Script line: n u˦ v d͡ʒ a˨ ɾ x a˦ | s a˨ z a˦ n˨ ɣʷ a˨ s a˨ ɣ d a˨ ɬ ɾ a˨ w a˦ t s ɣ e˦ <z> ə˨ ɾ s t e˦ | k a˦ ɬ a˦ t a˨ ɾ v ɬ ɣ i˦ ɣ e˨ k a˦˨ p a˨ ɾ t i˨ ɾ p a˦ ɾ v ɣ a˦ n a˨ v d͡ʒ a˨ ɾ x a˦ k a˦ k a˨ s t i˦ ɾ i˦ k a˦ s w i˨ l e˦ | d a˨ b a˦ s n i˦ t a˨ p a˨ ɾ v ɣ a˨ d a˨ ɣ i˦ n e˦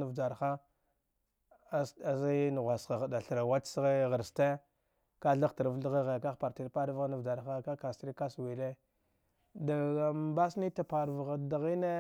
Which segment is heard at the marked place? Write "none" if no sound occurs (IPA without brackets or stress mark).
ɣ